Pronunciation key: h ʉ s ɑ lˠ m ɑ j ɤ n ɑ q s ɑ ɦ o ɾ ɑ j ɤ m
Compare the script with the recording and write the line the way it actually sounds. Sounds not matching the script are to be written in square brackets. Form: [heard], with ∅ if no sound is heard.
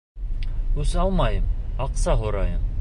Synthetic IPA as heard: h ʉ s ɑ lˠ m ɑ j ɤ [m] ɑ q s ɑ ɦ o ɾ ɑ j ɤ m